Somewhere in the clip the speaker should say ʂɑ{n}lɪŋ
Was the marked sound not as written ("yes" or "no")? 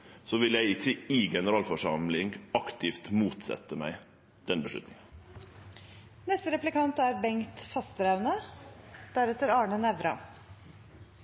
yes